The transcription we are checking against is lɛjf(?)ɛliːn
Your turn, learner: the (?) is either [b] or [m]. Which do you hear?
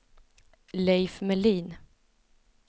m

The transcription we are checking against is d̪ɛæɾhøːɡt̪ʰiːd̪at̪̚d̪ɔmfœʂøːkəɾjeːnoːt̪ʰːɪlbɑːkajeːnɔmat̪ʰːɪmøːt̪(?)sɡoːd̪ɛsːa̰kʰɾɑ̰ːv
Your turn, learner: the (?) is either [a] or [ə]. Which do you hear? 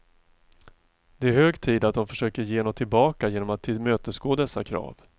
ə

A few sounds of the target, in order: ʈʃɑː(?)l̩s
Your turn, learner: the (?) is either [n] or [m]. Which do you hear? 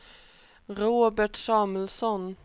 m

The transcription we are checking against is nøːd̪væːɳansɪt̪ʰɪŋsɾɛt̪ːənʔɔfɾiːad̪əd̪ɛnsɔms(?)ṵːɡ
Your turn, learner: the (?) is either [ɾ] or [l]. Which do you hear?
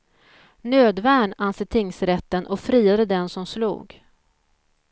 l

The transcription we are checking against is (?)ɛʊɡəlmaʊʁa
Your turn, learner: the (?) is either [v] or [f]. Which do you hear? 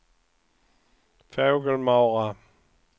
f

